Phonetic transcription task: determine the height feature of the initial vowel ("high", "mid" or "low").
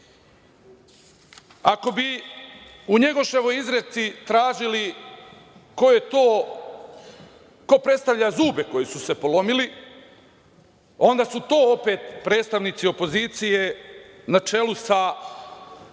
low